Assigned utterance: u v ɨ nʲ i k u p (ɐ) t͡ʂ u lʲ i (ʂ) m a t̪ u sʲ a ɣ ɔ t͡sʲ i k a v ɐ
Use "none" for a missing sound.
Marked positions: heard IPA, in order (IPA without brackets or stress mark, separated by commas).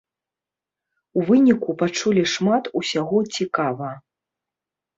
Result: a, ʂ